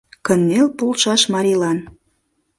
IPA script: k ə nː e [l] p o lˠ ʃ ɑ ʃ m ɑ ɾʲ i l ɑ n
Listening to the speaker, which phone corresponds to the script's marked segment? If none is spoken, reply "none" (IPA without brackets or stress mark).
l